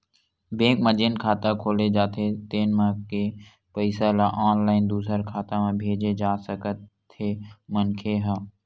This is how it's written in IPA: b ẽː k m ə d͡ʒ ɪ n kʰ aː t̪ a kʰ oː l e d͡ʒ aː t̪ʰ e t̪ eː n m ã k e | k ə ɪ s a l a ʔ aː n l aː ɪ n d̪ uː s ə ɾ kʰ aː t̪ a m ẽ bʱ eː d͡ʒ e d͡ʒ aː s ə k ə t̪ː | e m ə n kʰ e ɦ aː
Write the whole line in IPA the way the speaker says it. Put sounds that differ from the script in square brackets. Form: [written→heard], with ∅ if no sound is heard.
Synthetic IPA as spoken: b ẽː k m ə d͡ʒ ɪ n kʰ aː t̪ a kʰ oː l e d͡ʒ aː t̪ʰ e t̪ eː n m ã k e | [k→p] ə ɪ s a l a ʔ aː n l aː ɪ n d̪ uː s ə ɾ kʰ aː t̪ a m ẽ bʱ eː d͡ʒ e d͡ʒ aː s ə k ə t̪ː | e m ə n kʰ e ɦ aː